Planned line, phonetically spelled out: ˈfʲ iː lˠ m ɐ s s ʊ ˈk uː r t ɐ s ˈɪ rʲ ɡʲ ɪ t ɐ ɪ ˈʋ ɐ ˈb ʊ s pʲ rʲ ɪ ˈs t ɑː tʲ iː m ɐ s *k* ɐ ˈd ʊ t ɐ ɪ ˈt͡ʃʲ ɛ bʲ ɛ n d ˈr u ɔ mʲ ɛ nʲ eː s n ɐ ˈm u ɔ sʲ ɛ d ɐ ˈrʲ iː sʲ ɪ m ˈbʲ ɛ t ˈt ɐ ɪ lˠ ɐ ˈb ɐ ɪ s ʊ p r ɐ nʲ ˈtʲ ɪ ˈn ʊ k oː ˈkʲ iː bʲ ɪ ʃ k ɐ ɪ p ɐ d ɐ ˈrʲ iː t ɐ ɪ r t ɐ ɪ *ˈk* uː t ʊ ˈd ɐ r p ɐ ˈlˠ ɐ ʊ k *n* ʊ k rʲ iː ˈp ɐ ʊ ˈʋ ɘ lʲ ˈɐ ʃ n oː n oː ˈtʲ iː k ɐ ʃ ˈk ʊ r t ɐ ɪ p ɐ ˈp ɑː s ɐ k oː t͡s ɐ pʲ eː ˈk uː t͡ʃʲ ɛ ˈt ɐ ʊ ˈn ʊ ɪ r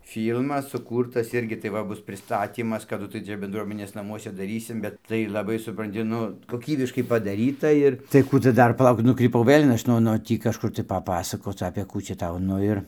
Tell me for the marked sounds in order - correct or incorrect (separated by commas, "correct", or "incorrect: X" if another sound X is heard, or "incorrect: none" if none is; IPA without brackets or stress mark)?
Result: correct, correct, correct